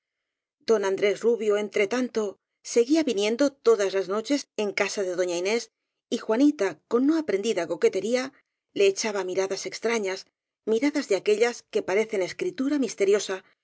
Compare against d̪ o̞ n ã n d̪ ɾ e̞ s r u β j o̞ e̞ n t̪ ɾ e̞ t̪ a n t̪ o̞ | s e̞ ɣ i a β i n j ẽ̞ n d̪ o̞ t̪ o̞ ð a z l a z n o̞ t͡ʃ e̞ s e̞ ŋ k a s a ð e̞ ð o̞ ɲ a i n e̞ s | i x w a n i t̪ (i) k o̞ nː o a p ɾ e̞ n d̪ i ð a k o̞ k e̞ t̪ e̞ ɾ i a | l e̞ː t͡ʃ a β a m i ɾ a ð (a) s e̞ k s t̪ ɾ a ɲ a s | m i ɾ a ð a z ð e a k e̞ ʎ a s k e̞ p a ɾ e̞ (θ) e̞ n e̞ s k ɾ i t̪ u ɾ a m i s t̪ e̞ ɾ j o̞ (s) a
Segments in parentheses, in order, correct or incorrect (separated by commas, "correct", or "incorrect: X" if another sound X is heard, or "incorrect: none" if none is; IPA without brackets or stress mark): incorrect: a, correct, correct, correct